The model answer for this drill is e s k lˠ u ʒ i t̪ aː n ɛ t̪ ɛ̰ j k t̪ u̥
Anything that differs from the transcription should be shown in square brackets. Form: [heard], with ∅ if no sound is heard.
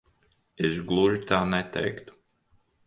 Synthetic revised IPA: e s [ɡ] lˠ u ʒ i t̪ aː n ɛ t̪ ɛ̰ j k t̪ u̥